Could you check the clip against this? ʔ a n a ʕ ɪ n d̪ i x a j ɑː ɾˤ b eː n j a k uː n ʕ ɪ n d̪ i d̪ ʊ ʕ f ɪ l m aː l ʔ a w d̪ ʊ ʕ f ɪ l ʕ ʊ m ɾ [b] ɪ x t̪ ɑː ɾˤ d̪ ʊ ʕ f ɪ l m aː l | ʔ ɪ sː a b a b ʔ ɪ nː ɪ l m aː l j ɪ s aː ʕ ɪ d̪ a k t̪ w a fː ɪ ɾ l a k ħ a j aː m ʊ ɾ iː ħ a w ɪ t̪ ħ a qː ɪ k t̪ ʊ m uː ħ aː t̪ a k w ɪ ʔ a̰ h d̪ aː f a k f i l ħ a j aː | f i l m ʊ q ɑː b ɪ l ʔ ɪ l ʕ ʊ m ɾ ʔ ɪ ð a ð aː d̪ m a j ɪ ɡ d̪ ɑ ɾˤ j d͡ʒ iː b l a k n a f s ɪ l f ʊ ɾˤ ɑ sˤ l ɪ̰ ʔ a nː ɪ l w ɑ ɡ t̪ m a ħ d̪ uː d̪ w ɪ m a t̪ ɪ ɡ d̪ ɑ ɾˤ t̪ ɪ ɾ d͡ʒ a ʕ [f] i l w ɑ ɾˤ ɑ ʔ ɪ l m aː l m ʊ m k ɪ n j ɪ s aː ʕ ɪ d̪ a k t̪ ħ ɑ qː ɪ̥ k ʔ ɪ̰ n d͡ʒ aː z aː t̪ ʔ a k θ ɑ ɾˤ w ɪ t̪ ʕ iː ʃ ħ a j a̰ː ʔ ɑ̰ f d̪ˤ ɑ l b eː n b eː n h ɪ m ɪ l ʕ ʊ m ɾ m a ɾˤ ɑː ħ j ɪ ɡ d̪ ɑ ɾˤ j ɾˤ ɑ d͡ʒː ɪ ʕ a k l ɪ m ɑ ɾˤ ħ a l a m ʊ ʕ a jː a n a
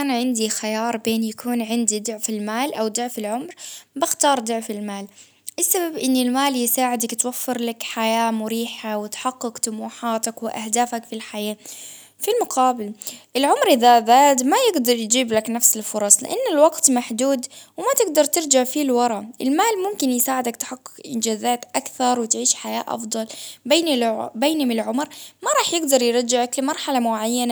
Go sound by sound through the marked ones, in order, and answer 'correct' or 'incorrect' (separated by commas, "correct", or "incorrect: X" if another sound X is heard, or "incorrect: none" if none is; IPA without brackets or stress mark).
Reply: correct, correct